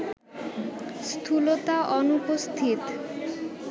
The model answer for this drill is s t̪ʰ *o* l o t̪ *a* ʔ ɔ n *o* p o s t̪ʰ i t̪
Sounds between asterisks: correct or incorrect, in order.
incorrect: u, correct, incorrect: u

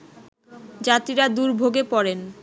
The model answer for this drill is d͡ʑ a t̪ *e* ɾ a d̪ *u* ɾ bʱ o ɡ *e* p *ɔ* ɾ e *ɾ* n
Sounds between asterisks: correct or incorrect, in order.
incorrect: i, correct, correct, correct, incorrect: none

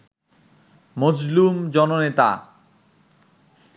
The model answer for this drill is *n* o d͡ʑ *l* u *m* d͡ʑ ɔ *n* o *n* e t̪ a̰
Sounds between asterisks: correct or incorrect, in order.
incorrect: m, correct, correct, correct, correct

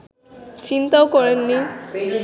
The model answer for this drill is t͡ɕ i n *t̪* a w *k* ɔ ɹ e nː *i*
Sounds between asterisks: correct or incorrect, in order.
correct, correct, correct

